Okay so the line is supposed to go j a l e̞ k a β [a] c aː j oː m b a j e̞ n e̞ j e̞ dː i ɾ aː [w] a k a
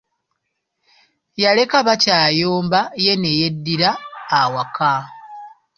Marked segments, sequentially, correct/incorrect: correct, correct

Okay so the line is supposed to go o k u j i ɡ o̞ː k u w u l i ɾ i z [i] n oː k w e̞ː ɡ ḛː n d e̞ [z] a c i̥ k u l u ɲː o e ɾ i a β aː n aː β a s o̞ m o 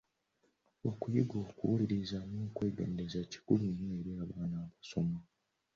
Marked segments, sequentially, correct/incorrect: incorrect: a, correct

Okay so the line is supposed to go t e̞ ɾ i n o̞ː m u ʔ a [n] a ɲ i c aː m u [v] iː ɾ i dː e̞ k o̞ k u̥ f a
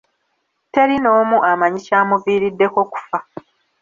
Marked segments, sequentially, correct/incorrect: incorrect: m, correct

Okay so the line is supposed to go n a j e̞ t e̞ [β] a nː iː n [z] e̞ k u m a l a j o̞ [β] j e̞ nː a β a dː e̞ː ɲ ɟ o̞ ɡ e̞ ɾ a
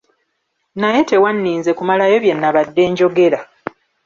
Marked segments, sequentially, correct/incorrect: incorrect: w, correct, correct

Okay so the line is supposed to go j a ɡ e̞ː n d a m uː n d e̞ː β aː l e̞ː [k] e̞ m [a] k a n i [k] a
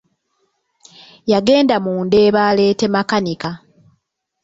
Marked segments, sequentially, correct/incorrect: incorrect: t, correct, correct

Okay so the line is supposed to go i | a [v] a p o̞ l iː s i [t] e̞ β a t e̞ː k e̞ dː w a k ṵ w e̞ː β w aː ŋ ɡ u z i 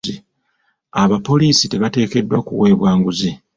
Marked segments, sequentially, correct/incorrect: incorrect: β, correct

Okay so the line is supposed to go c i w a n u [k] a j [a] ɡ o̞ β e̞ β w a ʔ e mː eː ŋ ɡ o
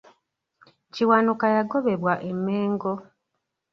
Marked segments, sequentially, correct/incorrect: correct, correct

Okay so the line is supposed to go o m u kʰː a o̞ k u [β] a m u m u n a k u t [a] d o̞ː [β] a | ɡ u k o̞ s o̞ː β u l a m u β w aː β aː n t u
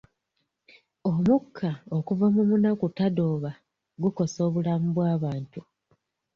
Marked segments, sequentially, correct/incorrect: incorrect: v, correct, correct

